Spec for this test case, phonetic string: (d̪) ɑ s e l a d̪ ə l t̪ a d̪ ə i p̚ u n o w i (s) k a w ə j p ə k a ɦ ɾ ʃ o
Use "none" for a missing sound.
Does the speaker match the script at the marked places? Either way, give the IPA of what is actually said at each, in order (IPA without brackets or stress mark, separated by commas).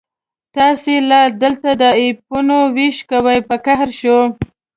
t̪, ʃ